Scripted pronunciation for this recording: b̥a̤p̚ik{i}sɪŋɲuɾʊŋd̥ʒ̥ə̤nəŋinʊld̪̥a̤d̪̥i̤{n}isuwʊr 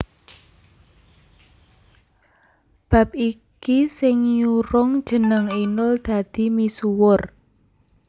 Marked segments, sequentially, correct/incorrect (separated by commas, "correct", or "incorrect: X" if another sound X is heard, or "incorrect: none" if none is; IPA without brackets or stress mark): correct, incorrect: m